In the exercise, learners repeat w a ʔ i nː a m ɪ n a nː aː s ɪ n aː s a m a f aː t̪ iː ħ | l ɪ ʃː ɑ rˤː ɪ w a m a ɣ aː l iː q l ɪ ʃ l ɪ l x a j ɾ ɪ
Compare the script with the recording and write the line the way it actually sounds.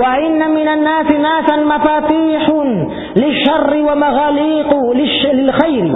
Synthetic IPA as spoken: w a ʔ ɪ nː a m ɪ n a nː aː s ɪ n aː s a m a f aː t̪ iː ħ | l ɪ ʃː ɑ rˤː ɪ w a m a ɣ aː l iː q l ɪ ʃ l ɪ l x a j ɾ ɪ